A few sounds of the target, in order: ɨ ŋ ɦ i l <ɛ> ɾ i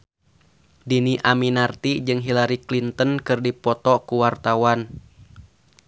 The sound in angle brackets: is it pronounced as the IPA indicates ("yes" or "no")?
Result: no